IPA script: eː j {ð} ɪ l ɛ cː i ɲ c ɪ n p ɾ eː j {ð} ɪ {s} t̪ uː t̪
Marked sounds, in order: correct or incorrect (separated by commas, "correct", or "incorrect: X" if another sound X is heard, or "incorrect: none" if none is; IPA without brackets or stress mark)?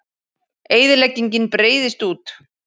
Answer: correct, correct, correct